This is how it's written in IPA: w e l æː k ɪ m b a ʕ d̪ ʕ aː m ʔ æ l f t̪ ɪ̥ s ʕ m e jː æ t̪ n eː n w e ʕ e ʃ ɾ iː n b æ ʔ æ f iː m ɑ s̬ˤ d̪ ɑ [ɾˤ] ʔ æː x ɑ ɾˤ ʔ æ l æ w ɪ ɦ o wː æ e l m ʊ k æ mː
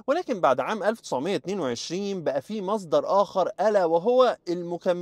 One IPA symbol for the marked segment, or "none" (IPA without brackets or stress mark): ɾˤ